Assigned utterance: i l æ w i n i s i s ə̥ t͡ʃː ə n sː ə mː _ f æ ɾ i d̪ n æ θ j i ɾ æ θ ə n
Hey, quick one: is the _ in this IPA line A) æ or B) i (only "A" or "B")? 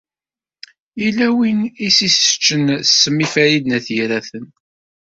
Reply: B